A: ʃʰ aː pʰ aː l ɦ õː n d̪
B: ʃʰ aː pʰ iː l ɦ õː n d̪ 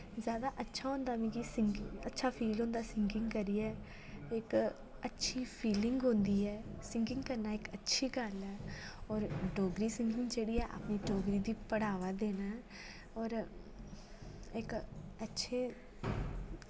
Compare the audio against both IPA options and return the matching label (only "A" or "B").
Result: B